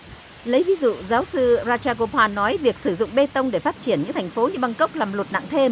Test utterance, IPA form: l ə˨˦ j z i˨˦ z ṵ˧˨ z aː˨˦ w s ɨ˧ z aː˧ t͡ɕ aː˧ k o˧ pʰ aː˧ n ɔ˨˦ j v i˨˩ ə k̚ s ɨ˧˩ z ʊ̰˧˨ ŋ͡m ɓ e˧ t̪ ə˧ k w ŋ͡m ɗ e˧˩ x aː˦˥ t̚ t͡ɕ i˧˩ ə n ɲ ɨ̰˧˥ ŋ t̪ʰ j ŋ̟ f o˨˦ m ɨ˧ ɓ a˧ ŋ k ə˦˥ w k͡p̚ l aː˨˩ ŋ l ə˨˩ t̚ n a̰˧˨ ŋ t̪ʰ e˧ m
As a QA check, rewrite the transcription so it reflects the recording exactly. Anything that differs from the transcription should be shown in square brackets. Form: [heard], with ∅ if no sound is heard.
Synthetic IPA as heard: l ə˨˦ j [v] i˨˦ z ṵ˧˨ z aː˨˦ w s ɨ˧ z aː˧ t͡ɕ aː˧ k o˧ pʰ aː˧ n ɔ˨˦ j v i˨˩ ə k̚ s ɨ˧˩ z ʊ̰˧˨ ŋ͡m ɓ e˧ t̪ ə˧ [∅] w ŋ͡m ɗ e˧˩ [f] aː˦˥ t̚ t͡ɕ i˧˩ ə n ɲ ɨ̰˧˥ ŋ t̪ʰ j ŋ̟ f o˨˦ [ɲ] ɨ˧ ɓ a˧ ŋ k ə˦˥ w k͡p̚ l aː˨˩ [m] l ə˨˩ t̚ n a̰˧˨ ŋ t̪ʰ e˧ m

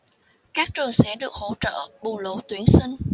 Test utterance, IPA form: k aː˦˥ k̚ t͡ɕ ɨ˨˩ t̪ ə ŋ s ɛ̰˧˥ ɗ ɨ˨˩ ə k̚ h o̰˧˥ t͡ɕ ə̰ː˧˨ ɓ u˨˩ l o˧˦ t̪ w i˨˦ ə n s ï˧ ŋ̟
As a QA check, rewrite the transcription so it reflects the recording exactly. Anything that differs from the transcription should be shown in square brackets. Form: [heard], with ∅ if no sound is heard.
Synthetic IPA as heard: k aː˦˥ k̚ t͡ɕ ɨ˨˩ [∅] ə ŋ s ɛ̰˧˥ ɗ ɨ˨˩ ə k̚ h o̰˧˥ t͡ɕ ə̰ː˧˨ ɓ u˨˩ l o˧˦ t̪ w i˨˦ ə n s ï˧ ŋ̟

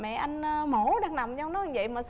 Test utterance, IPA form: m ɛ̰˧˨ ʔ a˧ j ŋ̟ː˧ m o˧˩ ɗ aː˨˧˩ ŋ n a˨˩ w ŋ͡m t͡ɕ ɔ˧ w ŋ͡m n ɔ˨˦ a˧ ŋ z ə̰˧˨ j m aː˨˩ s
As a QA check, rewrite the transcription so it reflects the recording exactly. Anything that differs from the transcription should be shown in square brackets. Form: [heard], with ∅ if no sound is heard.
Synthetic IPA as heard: m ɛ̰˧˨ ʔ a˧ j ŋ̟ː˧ m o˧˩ ɗ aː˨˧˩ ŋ n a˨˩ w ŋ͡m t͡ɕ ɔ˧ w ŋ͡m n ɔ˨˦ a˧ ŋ [v] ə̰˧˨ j m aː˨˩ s

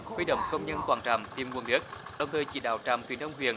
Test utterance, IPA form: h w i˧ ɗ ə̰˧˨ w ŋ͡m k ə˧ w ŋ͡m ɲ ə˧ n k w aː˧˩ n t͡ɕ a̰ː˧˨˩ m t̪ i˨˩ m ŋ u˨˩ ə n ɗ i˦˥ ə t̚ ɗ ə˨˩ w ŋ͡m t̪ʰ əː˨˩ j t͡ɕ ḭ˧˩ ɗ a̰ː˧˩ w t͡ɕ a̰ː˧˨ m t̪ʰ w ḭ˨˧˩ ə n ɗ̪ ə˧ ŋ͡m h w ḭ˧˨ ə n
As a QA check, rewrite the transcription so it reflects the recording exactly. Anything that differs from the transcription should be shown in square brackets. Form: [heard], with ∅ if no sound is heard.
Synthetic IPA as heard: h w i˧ ɗ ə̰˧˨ w ŋ͡m k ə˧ w ŋ͡m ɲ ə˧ n k w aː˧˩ n t͡ɕ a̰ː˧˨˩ m t̪ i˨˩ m ŋ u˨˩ ə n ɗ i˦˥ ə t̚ ɗ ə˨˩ w ŋ͡m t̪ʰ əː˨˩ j t͡ɕ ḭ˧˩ ɗ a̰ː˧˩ w t͡ɕ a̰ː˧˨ m [t̪] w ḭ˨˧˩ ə n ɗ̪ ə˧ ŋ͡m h w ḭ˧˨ ə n

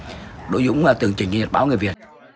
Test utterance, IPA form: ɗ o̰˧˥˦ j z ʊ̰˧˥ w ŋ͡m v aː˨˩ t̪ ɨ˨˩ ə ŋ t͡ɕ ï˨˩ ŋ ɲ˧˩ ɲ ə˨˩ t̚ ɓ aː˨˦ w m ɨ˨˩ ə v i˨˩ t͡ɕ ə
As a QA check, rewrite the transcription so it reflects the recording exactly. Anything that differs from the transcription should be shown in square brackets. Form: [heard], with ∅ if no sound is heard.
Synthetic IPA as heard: ɗ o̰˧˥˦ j z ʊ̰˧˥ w ŋ͡m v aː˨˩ t̪ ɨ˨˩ ə ŋ t͡ɕ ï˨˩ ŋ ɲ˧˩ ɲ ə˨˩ t̚ ɓ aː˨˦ w [ŋ] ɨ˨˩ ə v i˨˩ [∅] ə

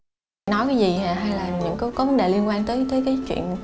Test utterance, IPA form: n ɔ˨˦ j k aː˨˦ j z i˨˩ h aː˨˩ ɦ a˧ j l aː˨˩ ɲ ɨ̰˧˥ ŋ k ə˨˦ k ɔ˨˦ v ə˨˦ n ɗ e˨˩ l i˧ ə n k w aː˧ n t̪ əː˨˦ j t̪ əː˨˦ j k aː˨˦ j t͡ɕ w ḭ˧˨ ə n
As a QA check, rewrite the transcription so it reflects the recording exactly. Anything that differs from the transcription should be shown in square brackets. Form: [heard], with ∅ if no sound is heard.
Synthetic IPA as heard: n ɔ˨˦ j k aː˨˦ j z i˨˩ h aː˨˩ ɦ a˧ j l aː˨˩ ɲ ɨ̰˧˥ ŋ k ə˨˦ k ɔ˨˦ v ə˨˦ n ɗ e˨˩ l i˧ ə n k w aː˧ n t̪ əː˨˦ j t̪ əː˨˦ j k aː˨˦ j t͡ɕ w ḭ˧˨ ə n

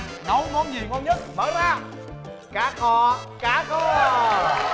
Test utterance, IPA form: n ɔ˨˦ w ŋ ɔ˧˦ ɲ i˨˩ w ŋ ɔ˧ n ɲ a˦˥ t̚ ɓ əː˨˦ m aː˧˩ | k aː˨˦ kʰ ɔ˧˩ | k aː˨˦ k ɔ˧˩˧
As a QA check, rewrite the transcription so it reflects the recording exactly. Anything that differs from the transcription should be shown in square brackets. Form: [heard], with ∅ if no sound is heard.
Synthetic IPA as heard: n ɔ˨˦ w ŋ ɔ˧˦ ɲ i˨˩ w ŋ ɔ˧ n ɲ [ə˦˥] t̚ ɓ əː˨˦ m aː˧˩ | k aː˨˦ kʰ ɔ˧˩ | k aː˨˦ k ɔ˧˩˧

